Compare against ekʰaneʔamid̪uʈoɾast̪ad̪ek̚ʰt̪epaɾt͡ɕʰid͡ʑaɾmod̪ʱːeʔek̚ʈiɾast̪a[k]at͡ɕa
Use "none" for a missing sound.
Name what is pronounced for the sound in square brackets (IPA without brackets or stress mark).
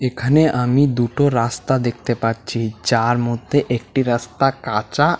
k